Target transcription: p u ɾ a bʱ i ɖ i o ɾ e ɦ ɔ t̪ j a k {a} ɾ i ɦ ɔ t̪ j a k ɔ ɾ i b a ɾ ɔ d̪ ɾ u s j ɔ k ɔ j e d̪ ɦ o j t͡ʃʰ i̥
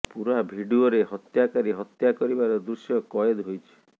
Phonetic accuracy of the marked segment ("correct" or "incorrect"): correct